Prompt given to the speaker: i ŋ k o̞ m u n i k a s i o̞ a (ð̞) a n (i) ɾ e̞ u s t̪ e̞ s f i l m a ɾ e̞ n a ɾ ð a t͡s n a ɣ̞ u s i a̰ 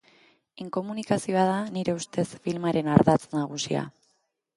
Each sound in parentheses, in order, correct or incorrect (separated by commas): correct, correct